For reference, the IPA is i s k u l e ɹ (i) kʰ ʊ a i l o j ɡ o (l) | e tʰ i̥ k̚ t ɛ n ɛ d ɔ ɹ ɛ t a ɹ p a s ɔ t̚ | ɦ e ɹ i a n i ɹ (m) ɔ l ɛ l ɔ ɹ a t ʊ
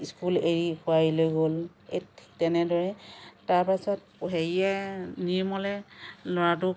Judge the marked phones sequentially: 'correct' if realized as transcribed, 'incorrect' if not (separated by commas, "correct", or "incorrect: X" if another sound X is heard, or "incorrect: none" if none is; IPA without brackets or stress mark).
correct, correct, correct